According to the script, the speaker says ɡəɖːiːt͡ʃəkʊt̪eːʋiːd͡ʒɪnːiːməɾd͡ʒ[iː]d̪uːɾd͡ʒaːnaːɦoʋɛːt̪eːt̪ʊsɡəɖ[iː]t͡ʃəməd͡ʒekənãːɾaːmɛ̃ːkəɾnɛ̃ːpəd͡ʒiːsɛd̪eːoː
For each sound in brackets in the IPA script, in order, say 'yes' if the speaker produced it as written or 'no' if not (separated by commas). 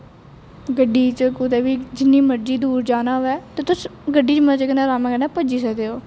yes, yes